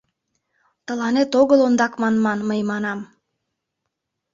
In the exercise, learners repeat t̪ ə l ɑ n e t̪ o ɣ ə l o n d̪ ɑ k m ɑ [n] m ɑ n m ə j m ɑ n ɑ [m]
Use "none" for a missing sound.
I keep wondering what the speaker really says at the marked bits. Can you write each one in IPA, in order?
n, m

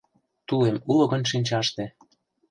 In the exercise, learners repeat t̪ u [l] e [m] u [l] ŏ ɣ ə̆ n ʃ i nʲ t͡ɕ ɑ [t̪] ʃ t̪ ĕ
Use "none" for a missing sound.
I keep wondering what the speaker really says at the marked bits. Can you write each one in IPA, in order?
l, m, l, none

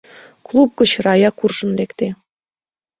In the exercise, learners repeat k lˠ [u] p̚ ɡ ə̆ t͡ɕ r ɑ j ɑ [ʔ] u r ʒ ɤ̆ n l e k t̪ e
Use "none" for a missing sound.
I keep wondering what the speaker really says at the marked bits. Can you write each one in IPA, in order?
u, k

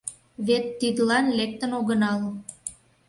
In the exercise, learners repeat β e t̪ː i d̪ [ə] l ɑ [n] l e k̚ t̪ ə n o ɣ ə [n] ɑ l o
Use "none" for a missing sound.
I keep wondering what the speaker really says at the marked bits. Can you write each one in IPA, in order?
ə, n, n

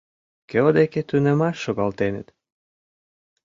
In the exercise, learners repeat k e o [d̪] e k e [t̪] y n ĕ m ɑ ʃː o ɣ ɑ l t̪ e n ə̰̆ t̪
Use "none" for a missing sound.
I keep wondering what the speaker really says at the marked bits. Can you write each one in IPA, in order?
d̪, t̪

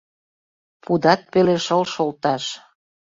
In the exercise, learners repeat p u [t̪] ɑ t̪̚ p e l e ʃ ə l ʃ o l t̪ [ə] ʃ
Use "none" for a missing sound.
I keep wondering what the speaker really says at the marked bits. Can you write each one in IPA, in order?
d̪, ɑ

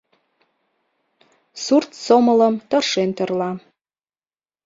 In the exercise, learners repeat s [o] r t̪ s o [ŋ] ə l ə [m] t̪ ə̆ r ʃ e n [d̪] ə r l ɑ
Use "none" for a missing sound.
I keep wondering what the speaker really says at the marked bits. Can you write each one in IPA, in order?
u, m, m, t̪

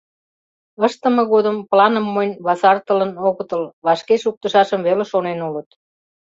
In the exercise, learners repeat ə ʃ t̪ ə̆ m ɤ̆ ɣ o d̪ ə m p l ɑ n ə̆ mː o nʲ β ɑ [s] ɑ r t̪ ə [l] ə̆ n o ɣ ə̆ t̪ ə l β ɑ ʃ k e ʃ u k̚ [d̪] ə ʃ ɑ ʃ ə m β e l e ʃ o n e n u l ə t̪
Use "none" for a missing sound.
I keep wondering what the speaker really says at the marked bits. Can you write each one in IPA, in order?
s, l, t̪

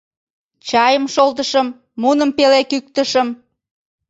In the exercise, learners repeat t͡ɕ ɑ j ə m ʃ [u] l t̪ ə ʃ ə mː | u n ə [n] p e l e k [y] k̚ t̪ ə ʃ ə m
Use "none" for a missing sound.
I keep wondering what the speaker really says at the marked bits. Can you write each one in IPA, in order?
o, m, y

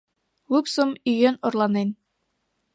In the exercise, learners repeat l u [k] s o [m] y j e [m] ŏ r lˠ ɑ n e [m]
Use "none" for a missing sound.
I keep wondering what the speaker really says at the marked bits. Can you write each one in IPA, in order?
p, m, n, n

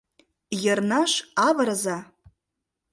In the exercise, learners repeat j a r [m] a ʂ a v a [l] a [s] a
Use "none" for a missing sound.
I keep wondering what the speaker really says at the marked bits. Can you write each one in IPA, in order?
n, ɾ, z

